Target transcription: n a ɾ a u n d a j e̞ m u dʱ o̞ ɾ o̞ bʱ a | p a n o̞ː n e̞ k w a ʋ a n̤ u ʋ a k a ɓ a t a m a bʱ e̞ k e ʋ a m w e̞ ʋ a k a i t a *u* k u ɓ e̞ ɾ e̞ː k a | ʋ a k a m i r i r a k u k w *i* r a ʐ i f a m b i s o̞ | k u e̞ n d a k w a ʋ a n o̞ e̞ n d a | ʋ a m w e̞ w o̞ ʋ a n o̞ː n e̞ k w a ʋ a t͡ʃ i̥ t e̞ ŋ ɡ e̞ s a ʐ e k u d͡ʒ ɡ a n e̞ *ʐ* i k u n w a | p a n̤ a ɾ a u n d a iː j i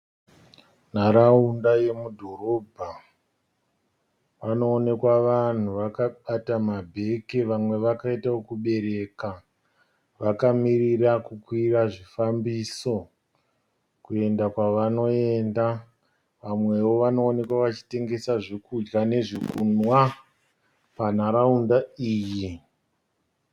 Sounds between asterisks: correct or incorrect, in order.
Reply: incorrect: o, correct, correct

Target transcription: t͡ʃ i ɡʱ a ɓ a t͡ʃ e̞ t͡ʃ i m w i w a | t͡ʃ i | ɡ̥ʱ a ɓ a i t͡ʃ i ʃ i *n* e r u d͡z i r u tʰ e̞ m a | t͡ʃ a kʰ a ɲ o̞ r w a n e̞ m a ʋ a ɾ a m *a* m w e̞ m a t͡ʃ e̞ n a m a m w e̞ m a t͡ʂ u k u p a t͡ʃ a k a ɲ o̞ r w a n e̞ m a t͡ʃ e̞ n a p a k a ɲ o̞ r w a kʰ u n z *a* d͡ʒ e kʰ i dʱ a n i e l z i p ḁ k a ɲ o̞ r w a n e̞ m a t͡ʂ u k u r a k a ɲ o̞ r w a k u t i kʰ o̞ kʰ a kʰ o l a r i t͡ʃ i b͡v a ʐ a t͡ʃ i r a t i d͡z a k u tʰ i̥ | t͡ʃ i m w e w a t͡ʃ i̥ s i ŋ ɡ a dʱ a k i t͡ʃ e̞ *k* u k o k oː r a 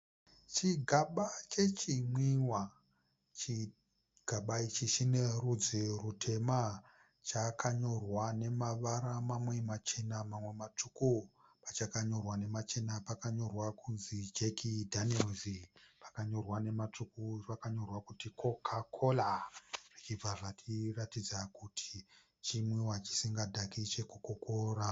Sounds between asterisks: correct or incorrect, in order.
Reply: correct, correct, incorrect: i, correct

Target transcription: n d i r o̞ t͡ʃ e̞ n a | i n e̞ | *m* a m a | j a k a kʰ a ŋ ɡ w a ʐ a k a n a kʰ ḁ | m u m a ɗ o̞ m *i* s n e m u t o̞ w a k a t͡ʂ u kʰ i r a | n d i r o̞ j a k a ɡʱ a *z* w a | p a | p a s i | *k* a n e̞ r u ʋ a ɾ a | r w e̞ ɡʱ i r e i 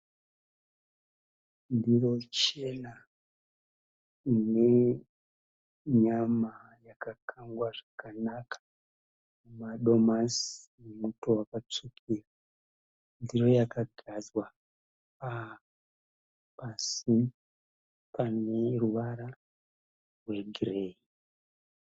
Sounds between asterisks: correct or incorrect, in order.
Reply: incorrect: ɲ, incorrect: a, correct, incorrect: p

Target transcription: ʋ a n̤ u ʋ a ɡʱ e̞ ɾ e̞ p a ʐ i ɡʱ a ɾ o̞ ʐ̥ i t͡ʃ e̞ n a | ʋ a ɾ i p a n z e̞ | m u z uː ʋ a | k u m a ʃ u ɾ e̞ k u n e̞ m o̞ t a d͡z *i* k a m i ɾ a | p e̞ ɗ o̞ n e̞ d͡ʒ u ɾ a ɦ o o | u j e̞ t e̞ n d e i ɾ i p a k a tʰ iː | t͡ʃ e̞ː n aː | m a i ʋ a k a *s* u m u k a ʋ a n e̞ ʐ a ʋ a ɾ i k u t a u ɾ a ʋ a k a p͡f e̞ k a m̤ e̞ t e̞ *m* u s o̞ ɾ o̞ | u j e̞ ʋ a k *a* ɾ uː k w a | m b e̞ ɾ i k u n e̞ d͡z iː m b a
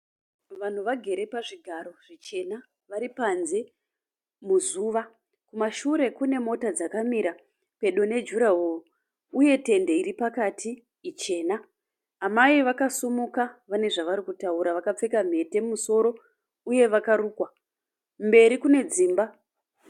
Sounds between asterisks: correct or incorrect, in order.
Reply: incorrect: a, correct, correct, correct

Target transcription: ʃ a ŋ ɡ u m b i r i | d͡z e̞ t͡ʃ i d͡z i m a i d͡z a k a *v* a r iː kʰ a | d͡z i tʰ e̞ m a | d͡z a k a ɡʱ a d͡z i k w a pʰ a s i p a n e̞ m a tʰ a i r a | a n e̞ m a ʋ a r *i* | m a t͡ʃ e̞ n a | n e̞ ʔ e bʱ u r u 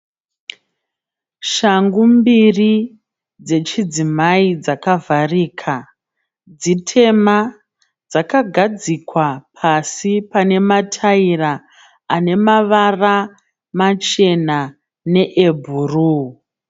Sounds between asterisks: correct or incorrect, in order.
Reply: correct, incorrect: a

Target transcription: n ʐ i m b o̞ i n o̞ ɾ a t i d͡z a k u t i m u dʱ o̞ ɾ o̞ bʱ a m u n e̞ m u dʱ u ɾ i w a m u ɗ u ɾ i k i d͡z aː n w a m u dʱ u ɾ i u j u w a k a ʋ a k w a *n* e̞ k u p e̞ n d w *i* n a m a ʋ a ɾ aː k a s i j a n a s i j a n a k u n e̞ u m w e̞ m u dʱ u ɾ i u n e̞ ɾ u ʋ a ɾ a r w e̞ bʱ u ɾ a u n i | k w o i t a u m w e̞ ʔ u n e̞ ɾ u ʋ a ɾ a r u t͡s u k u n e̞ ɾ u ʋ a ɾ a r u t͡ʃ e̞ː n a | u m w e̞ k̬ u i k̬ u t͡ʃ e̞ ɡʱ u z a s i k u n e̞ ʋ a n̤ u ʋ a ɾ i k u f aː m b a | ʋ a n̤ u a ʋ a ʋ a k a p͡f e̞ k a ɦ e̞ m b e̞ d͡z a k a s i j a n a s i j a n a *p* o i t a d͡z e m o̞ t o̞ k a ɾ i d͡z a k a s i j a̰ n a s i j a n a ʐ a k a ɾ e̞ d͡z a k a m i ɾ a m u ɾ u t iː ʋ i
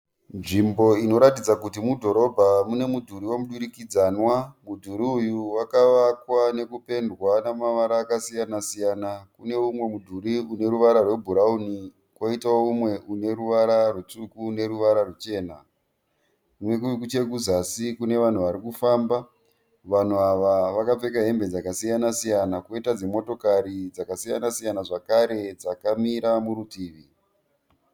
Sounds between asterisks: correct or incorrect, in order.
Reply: correct, incorrect: a, incorrect: k

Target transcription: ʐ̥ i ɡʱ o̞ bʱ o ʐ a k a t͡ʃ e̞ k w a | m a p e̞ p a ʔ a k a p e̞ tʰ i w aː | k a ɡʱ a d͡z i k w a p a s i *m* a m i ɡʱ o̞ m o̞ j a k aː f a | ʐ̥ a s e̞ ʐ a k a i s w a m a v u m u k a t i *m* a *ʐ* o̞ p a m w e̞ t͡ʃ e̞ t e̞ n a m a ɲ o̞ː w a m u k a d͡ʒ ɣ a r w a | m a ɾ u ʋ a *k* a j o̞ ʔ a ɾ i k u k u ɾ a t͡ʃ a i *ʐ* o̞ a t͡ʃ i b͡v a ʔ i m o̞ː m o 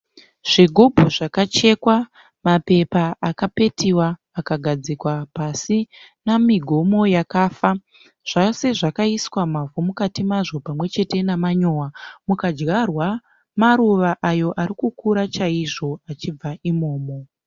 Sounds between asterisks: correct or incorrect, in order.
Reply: incorrect: n, correct, correct, incorrect: ʔ, correct

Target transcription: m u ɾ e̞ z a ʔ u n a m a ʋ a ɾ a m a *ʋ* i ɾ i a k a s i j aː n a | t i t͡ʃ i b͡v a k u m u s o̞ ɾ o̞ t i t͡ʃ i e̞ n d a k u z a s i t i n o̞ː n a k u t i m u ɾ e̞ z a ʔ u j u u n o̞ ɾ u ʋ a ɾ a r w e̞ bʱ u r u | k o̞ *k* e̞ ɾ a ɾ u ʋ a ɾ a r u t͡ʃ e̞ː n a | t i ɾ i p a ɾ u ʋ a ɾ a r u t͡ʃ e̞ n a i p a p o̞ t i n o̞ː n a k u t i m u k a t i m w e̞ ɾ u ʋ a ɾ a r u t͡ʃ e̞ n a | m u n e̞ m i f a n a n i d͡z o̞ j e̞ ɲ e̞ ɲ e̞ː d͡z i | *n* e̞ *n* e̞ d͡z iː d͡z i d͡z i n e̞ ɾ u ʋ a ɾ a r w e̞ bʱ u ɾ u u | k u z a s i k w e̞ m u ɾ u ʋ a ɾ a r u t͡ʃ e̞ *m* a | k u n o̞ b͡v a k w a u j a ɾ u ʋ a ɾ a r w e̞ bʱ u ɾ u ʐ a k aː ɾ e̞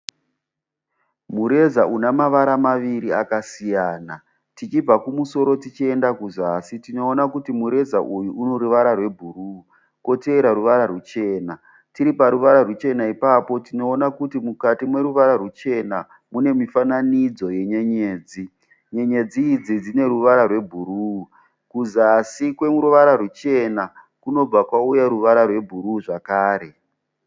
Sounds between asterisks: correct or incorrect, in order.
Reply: correct, incorrect: t, incorrect: ɲ, incorrect: ɲ, incorrect: n

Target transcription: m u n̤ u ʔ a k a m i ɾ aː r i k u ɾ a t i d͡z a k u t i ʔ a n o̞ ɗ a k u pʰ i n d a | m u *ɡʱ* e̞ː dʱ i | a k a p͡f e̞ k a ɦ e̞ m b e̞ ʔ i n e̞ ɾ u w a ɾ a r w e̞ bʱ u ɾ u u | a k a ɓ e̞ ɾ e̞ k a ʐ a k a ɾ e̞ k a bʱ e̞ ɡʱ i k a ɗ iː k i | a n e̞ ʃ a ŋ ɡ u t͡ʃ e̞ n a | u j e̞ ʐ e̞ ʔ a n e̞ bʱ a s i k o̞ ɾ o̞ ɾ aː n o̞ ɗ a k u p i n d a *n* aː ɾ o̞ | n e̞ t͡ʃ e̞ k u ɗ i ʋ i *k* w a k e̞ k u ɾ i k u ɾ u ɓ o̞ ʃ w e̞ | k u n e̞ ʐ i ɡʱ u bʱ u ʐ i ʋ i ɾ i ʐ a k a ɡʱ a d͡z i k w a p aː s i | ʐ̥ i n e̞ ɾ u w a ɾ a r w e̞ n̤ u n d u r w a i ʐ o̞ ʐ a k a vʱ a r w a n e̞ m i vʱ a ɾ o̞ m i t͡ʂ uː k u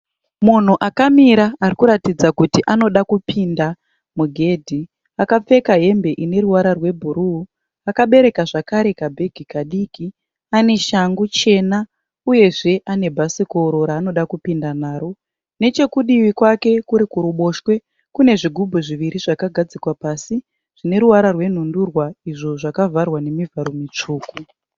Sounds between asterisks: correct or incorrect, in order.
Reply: correct, correct, correct

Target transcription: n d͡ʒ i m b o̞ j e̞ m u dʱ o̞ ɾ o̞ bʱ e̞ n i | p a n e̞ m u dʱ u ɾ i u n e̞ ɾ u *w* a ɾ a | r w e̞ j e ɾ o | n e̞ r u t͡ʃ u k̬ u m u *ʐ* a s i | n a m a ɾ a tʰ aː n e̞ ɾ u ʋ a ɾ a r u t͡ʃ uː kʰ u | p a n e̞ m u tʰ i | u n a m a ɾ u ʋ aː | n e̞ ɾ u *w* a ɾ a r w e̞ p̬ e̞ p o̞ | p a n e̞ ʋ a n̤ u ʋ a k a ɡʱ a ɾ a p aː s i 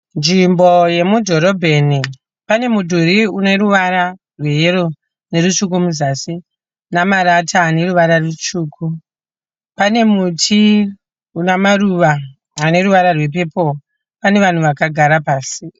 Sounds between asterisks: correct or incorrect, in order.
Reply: incorrect: ʋ, incorrect: z, incorrect: ʋ

